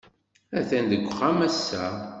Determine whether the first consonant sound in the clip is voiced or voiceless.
voiceless